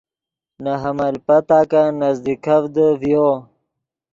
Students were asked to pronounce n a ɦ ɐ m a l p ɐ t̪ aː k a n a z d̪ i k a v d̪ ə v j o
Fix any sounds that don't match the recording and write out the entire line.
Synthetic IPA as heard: n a ɦ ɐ m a l p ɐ t̪ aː k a n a z d̪ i k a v d̪ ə v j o